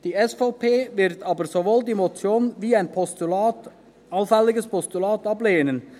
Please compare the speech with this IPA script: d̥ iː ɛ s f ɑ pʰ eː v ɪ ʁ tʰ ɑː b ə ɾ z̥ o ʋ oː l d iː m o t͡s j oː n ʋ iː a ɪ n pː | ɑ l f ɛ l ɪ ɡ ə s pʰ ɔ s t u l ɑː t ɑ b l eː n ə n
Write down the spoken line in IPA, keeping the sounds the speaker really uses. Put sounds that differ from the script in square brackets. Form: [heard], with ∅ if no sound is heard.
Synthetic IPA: d̥ iː ɛ s f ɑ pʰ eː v ɪ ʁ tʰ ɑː b ə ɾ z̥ o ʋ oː l d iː m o t͡s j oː n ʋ iː a ɪ n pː | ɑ l f ɛ l ɪ ɡ ə s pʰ ɔ s t u l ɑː t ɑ b l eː n ə n